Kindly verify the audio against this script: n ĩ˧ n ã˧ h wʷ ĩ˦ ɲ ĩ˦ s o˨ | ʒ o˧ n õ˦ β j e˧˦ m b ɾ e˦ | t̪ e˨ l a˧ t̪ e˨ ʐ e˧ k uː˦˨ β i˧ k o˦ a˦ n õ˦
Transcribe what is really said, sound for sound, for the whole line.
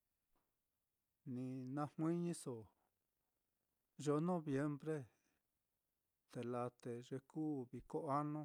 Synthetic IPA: n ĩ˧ n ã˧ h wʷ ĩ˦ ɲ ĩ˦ s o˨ | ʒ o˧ n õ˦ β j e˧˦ m b ɾ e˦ | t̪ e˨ l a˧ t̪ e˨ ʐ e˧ k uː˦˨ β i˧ k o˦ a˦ n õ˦